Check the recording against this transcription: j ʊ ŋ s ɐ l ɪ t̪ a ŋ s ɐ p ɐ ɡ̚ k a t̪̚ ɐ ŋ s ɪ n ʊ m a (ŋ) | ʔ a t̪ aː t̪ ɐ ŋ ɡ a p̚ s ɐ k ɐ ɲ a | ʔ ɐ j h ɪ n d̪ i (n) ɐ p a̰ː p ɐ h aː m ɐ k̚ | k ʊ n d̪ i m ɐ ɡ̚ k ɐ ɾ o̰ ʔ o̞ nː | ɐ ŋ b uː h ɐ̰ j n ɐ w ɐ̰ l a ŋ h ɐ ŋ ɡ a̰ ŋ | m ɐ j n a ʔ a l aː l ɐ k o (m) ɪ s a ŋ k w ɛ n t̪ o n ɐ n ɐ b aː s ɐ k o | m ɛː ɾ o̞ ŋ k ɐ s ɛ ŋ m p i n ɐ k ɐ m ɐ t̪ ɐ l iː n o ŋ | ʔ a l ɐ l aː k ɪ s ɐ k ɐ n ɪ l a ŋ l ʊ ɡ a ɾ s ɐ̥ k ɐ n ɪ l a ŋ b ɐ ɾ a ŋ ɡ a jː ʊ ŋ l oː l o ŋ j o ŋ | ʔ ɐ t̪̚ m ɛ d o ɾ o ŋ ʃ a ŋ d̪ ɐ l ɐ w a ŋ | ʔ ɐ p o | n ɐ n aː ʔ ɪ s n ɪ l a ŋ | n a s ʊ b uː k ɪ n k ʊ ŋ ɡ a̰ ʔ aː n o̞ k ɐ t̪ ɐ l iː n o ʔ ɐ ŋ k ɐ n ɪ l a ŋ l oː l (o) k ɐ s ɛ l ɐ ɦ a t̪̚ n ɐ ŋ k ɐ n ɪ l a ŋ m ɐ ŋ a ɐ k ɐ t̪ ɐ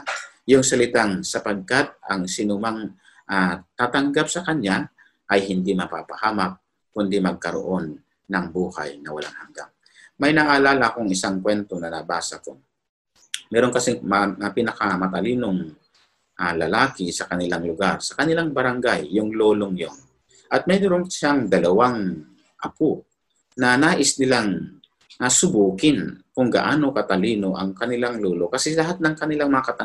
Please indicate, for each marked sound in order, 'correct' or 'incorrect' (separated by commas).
correct, incorrect, incorrect, correct